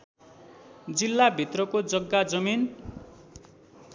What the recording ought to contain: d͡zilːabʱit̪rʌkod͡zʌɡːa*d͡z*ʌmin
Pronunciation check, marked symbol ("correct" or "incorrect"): correct